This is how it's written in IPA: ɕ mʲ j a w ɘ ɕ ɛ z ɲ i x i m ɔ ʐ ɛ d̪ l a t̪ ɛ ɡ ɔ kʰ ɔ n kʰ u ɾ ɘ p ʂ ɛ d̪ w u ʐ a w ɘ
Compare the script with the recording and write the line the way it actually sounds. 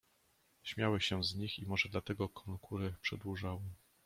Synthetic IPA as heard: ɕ mʲ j a w ɘ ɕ ɛ z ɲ i x i m ɔ ʐ ɛ d̪ l a t̪ ɛ ɡ ɔ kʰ ɔ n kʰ u ɾ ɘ p ʂ ɛ d̪ w u ʐ a w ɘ